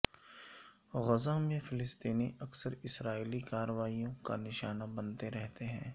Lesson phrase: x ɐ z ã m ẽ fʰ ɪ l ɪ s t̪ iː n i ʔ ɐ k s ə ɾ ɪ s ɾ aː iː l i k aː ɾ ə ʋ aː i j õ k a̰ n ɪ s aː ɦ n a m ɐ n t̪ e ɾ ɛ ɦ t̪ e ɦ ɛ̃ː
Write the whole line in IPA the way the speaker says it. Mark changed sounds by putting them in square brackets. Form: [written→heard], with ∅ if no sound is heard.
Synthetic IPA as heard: [x→ɣ] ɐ z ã m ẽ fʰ ɪ l ɪ s t̪ iː n i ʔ ɐ k s ə ɾ ɪ s ɾ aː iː l i k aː ɾ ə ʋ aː i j õ k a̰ n ɪ [s→ʃ] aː [ɦ→∅] n a [m→b] ɐ n t̪ e ɾ ɛ ɦ t̪ e ɦ ɛ̃ː